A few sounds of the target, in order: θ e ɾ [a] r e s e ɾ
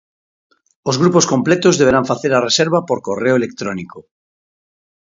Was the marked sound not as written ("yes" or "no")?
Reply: no